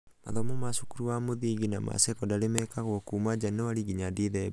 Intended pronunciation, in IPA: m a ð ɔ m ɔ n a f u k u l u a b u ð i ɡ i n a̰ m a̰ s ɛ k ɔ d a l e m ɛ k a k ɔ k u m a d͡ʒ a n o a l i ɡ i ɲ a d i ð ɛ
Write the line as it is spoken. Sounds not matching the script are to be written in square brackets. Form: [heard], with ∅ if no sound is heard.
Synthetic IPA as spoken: m a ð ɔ m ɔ [m] a [s] u k u [ɾ] u a [m] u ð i ɡ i n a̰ m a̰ s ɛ k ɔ d a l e m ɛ k a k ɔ k u m a d͡ʒ a n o a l i ɡ i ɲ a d i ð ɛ